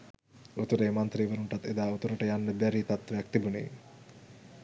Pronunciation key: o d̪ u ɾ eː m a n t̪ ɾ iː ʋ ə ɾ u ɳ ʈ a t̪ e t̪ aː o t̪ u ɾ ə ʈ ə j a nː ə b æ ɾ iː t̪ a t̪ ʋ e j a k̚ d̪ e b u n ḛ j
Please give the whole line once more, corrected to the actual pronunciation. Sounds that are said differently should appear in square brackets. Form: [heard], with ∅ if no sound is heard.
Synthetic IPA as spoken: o [t̪] u ɾ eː m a n t̪ ɾ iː ʋ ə ɾ u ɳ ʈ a t̪ e [d̪] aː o t̪ u ɾ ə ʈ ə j a nː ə b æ ɾ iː t̪ a t̪ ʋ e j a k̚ [t̪] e b u n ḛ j